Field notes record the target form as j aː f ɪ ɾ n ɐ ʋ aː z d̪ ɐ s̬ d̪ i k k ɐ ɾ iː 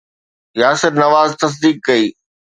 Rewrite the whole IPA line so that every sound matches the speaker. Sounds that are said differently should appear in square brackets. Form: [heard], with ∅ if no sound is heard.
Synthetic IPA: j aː [s] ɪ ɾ n ɐ ʋ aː z [t̪] ɐ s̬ d̪ [iː] k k ɐ [∅] iː

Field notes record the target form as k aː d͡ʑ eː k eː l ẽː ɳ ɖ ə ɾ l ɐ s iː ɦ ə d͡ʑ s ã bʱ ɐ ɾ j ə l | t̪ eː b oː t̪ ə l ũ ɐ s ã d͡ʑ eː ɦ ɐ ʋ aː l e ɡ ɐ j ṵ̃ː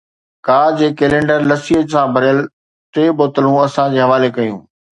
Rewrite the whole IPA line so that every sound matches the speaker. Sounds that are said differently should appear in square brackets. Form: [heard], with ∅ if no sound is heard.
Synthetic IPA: k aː d͡ʑ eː k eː l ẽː ɳ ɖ ə ɾ l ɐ s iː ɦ ə d͡ʑ s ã bʱ ɐ ɾ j ə l | t̪ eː b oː t̪ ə l ũ ɐ s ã d͡ʑ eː ɦ ɐ ʋ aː l e [k] ɐ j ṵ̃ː

